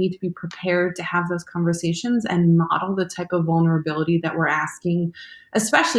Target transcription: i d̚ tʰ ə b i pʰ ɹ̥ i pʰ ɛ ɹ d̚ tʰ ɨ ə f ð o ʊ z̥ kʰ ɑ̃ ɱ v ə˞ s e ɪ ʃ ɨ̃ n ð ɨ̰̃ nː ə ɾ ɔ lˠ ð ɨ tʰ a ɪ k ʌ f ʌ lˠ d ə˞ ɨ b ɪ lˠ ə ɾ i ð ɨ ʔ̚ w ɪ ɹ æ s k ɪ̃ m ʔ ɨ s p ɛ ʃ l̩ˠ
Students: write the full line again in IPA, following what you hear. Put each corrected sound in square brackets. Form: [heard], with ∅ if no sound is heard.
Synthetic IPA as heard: i d̚ tʰ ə b i pʰ ɹ̥ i pʰ ɛ ɹ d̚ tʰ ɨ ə [v] ð o ʊ z̥ kʰ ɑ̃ ɱ v ə˞ s e ɪ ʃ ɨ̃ n [z] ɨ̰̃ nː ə ɾ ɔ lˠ ð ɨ tʰ a ɪ [p] ʌ [v] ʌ lˠ [n] ə˞ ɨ b ɪ lˠ ə ɾ i ð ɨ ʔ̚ w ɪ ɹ æ s k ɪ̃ [ŋ] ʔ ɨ s p ɛ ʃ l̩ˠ